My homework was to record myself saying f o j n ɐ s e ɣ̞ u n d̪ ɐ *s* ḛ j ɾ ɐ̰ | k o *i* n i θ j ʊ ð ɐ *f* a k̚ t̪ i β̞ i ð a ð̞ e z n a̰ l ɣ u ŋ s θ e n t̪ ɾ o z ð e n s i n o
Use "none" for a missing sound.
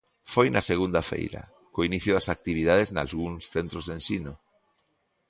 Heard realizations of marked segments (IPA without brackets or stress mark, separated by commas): f, i, s